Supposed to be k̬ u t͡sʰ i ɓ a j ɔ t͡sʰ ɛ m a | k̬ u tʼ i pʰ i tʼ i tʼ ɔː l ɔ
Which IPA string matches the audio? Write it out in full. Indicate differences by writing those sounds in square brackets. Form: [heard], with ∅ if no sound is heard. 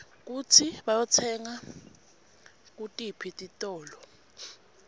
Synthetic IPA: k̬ u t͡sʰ i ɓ a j ɔ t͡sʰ ɛ [ŋ] a | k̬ u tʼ i pʰ i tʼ i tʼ ɔː l ɔ